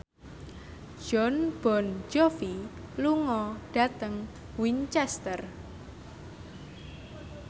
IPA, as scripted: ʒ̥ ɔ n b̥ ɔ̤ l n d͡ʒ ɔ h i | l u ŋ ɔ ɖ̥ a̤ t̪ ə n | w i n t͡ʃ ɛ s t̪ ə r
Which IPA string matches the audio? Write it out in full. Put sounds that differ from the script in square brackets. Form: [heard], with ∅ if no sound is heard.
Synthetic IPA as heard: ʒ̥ ɔ n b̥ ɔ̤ [∅] n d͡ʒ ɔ [f] i | l u ŋ ɔ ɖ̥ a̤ t̪ ə [ŋ] | w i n t͡ʃ ɛ s t̪ ə r